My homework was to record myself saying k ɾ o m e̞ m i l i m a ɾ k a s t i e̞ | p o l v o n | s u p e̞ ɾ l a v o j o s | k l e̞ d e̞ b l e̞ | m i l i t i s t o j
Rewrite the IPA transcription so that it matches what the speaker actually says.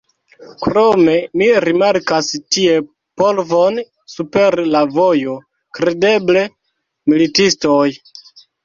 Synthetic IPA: k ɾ o m e̞ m i ɾ i m a ɾ k a s t i e̞ | p o l v o n | s u p e̞ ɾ l a v o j o | k ɾ e̞ d e̞ b l e̞ | m i l i t i s t o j